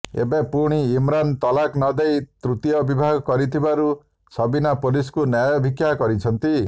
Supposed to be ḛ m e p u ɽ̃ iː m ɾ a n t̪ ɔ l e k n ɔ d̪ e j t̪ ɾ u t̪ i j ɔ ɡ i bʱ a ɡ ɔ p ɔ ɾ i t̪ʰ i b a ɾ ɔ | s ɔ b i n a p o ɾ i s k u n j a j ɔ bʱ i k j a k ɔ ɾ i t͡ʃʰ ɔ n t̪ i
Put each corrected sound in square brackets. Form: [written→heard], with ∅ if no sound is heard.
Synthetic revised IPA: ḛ [m→b] e p u ɽ̃ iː m ɾ a n t̪ ɔ l [e→a] k n ɔ d̪ e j t̪ ɾ u t̪ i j ɔ [ɡ→b] i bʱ a ɡ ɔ [p→k] ɔ ɾ i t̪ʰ i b a ɾ [ɔ→u] | s ɔ b i n a p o [ɾ→l] i s k u n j a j ɔ bʱ i k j a k ɔ ɾ i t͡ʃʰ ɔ n t̪ i